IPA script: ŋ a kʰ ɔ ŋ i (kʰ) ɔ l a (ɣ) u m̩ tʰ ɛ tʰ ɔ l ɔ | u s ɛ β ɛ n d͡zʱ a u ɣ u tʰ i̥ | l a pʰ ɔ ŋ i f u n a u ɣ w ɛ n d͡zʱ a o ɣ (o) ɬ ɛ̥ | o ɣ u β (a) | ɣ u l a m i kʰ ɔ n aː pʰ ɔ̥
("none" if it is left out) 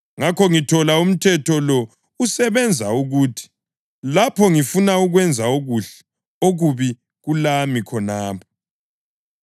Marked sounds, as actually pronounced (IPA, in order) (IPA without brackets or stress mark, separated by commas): tʰ, none, u, i